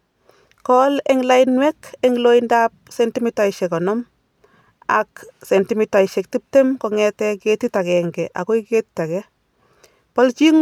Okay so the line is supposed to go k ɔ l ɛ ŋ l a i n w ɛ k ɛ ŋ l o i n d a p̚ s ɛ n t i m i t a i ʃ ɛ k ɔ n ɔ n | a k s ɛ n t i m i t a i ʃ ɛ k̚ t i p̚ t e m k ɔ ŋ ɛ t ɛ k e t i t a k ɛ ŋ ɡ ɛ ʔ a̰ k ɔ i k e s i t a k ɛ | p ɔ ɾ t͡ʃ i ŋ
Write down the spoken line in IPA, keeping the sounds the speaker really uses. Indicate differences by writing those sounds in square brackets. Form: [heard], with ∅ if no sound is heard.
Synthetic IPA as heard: k ɔ l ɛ ŋ l a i n w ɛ k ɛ ŋ l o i n d a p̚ s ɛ n t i m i t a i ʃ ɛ k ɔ n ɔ [m] | a k s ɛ n t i m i t a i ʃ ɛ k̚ t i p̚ t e m k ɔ ŋ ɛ t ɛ k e t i t a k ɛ ŋ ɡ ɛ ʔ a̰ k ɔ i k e [t] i t a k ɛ | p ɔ [l] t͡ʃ i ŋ